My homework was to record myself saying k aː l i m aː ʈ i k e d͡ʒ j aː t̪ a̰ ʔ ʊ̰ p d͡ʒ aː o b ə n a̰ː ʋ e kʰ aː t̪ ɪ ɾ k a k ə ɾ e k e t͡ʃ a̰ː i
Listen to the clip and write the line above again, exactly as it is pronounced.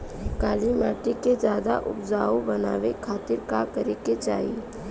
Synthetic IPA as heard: k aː l i m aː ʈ i k e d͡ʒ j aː d̪ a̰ ʔ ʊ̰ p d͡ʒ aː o b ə n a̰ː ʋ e kʰ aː t̪ ɪ ɾ k a k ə ɾ e k e t͡ʃ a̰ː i